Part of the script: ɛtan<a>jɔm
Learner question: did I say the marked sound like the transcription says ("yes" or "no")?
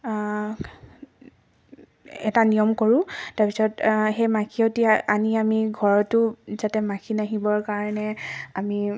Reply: no